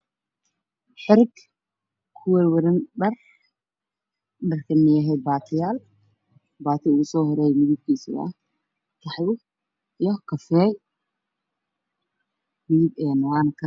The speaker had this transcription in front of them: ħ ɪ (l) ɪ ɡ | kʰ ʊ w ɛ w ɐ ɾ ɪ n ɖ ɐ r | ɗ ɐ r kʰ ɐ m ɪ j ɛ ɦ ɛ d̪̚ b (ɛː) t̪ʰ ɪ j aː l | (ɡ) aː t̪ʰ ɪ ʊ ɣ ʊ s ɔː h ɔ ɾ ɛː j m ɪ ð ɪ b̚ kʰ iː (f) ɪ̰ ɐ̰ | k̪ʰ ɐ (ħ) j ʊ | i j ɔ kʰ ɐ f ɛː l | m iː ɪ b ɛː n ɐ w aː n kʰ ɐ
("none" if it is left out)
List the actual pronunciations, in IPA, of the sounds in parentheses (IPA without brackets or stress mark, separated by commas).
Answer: ɾ, aː, b, s, ħ